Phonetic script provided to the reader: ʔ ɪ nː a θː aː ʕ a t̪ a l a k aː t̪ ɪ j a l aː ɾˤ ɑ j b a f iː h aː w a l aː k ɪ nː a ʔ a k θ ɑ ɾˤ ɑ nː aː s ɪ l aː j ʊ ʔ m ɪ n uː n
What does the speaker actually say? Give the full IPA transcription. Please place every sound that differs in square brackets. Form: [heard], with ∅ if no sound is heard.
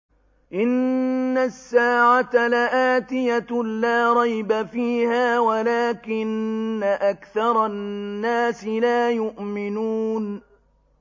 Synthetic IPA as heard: ʔ ɪ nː a [sː] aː ʕ a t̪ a l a [ʔ] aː t̪ ɪ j a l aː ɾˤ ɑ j b a f iː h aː w a l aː k ɪ nː a ʔ a k θ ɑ ɾˤ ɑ nː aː s ɪ l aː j ʊ ʔ m ɪ n uː n

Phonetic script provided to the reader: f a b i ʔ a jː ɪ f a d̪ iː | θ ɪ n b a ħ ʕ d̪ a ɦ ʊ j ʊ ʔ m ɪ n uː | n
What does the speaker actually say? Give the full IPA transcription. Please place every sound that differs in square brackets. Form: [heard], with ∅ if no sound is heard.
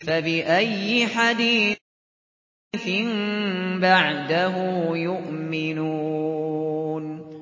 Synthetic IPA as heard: f a b [ɪ] ʔ a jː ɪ [ħ] a d̪ iː | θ ɪ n b a [∅] ʕ d̪ a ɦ ʊ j ʊ ʔ m ɪ n uː | n

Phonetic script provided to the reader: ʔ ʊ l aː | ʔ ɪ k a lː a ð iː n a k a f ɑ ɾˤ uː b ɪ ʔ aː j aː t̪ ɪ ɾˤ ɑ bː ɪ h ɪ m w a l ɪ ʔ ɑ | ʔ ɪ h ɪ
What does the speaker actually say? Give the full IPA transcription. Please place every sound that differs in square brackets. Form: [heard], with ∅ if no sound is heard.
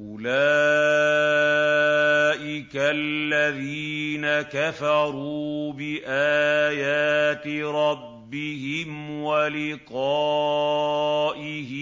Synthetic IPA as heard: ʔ ʊ l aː | ʔ ɪ k a lː a ð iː n a k a f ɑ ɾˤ uː b ɪ ʔ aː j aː t̪ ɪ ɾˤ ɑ bː ɪ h ɪ m w a l ɪ [q] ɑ | ʔ ɪ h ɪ

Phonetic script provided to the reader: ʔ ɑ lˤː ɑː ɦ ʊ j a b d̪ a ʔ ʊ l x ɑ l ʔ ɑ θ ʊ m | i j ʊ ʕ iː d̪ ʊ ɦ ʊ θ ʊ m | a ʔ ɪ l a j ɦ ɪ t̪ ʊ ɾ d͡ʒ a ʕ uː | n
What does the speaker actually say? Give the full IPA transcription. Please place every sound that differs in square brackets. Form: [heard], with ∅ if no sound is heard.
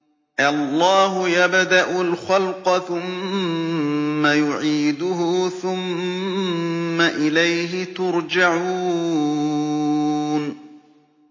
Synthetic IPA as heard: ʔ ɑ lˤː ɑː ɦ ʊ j a b d̪ a ʔ ʊ l x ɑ l [q] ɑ θ ʊ m | [a] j ʊ ʕ iː d̪ ʊ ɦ ʊ θ ʊ m | a ʔ ɪ l a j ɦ ɪ t̪ ʊ ɾ d͡ʒ a ʕ uː | n

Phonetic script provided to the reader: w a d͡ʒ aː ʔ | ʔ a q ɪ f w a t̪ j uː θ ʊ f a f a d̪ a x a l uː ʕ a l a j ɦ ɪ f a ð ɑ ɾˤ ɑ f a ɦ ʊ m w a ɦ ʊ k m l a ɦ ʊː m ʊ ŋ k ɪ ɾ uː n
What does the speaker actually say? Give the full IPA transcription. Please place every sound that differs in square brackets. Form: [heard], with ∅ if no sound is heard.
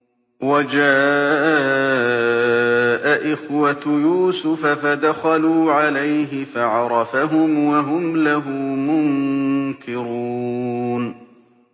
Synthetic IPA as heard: w a d͡ʒ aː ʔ | ʔ a [ʔ] ɪ [x] w a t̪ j uː [s] ʊ f a f a d̪ a x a l uː ʕ a l a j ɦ ɪ f a [ʕ] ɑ ɾˤ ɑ f a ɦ ʊ m w a ɦ ʊ [∅] m l a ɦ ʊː m ʊ ŋ k ɪ ɾ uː n

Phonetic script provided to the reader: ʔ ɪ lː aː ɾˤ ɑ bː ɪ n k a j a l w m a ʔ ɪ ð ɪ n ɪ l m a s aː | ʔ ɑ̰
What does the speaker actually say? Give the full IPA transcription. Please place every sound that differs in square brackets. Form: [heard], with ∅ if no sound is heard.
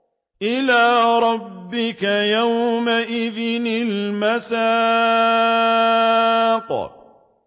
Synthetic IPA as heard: ʔ ɪ [l] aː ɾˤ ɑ bː ɪ [∅] k a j a [∅] w m a ʔ ɪ ð ɪ n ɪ l m a s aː | [q] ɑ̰

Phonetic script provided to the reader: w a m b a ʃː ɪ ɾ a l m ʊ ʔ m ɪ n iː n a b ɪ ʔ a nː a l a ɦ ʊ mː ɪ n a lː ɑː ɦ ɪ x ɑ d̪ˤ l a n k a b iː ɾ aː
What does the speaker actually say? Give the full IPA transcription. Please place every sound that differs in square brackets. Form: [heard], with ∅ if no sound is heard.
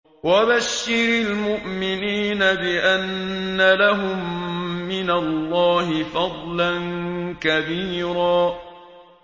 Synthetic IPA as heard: w a [∅] b a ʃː ɪ ɾ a l m ʊ ʔ m ɪ n iː n a b ɪ ʔ a nː a l a ɦ ʊ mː ɪ n a lː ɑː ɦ ɪ [f] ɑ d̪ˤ l a n k a b iː ɾ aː

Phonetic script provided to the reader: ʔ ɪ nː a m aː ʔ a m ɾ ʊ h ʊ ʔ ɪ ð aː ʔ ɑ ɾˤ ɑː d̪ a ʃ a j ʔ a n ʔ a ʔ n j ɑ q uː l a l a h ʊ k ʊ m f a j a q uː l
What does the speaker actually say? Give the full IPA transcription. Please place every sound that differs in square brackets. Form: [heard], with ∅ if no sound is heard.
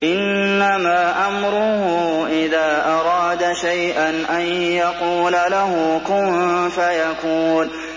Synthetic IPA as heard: ʔ ɪ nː a m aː ʔ a m ɾ ʊ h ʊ ʔ ɪ ð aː ʔ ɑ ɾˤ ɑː d̪ a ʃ a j ʔ a n ʔ a [∅] n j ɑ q uː l a l a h ʊ k ʊ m f a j a [k] uː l

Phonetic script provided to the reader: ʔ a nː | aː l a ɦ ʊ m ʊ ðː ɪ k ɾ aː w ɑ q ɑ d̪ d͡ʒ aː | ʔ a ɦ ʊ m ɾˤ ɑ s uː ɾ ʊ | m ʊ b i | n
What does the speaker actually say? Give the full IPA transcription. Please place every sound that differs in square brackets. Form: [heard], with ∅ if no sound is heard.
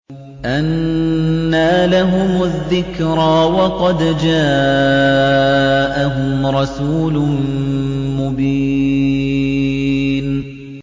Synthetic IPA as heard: ʔ a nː | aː l a ɦ ʊ m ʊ ðː ɪ k ɾ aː w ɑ q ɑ d̪ d͡ʒ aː | ʔ a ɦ ʊ m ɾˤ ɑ s uː [l] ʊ | m ʊ b i | n

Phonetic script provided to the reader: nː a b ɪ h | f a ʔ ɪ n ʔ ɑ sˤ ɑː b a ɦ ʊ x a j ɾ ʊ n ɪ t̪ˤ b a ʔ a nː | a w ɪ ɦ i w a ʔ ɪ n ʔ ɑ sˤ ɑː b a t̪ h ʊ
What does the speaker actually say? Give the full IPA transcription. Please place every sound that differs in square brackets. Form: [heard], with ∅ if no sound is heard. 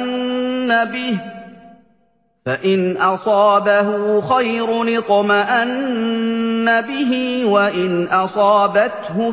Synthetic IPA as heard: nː a b ɪ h | f a ʔ ɪ n ʔ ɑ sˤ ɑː b a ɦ ʊ x a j ɾ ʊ n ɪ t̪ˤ [m] a ʔ a nː | a [b] ɪ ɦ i w a ʔ ɪ n ʔ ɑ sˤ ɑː b a t̪ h ʊ

